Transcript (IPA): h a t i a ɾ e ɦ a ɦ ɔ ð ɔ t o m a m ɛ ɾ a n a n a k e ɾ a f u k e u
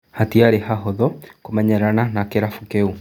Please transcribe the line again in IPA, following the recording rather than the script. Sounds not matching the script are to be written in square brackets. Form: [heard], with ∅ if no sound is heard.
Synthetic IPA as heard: h a t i a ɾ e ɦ a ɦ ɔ ð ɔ [k] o m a [ɲ] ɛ ɾ a n a n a k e ɾ a f u k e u